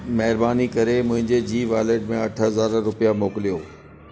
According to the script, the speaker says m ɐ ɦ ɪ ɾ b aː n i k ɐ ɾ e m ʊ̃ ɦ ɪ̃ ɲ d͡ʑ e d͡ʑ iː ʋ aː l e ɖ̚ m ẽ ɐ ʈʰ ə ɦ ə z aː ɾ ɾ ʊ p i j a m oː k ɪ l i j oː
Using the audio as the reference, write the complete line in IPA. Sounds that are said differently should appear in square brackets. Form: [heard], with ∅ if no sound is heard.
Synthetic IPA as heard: m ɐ ɦ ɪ ɾ b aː n i k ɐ ɾ e m ʊ̃ ɦ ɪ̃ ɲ d͡ʑ e d͡ʑ iː ʋ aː l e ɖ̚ m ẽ ɐ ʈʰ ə ɦ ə z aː ɾ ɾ ʊ p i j a m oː k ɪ l i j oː